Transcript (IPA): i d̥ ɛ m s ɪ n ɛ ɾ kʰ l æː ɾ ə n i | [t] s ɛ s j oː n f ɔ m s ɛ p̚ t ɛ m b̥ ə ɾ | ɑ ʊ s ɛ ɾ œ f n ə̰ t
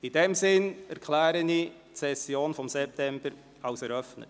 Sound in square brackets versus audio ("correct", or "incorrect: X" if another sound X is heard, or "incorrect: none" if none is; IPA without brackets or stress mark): correct